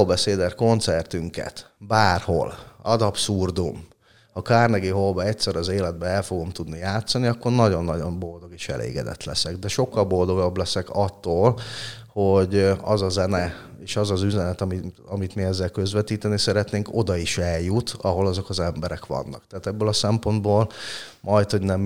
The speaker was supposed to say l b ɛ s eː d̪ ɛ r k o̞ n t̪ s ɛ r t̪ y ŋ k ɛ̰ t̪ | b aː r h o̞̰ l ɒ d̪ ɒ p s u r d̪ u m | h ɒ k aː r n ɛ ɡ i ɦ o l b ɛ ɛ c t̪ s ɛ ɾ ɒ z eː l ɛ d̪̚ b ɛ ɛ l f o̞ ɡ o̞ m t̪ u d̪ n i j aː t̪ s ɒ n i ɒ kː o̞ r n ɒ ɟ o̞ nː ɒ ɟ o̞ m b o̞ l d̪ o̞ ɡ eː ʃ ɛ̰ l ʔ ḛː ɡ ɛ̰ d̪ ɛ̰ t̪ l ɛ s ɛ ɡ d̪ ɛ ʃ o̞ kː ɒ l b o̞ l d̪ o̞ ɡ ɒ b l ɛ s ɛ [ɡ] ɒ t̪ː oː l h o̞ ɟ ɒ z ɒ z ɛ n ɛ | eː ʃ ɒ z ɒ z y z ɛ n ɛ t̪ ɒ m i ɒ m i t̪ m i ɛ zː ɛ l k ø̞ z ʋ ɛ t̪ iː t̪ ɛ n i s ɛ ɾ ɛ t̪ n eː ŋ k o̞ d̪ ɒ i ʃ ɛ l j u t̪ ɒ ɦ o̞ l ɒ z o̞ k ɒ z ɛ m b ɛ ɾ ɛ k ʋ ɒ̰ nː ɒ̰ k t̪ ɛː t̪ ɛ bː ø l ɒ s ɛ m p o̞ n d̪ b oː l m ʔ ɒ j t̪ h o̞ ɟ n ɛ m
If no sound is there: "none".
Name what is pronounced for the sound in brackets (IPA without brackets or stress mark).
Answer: k